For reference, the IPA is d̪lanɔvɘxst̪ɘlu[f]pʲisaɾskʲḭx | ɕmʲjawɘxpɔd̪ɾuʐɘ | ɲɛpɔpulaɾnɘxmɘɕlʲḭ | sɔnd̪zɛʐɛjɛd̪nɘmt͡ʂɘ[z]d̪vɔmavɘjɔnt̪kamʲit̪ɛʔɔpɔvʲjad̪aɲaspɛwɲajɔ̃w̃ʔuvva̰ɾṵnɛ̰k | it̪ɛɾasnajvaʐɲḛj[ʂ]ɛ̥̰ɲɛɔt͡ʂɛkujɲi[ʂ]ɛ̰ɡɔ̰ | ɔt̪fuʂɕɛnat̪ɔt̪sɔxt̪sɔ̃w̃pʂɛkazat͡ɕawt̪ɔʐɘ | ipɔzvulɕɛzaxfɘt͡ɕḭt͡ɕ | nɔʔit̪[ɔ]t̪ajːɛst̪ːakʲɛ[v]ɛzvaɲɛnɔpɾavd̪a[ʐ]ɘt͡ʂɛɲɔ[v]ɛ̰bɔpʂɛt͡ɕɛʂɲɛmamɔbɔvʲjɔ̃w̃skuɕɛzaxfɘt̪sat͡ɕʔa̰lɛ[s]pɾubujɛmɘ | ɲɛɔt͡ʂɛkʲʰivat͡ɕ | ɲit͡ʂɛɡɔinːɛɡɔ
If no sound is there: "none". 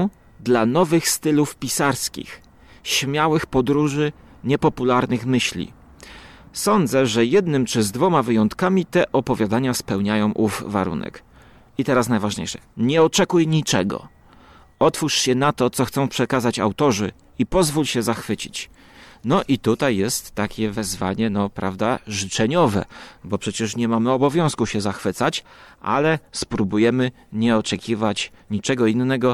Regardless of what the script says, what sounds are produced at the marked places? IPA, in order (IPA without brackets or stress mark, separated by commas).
f, z, ʂ, t͡ʂ, u, v, ʐ, v, s